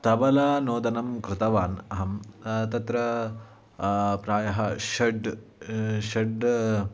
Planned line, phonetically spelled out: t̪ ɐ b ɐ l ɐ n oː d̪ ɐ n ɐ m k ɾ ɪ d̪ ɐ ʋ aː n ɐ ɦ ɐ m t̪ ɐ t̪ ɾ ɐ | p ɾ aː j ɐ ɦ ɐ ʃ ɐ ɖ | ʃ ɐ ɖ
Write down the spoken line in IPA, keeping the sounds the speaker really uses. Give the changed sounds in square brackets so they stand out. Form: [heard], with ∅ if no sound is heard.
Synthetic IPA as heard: t̪ ɐ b ɐ l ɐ n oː d̪ ɐ n ɐ m k ɾ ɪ [t̪] ɐ ʋ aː n ɐ ɦ ɐ m t̪ ɐ t̪ ɾ ɐ | p ɾ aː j ɐ ɦ ɐ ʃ ɐ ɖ | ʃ ɐ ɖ